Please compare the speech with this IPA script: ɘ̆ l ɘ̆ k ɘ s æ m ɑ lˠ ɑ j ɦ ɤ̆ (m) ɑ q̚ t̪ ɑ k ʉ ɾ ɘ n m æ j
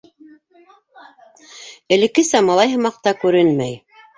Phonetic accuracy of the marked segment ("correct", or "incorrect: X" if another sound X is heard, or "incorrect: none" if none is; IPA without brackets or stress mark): correct